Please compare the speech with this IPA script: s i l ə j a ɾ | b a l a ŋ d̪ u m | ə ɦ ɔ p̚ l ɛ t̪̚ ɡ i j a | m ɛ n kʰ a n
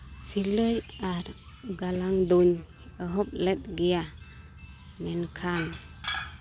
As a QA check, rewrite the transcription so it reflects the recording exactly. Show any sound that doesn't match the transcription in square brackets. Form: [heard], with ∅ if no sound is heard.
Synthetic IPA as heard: s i l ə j a ɾ | [ɡ] a l a ŋ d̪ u [ɲ] | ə ɦ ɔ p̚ l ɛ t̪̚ ɡ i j a | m ɛ n kʰ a n